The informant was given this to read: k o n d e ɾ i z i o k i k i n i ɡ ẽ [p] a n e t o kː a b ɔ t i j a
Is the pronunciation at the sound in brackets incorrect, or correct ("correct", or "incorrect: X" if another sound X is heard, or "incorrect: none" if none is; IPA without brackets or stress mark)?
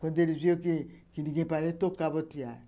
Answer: correct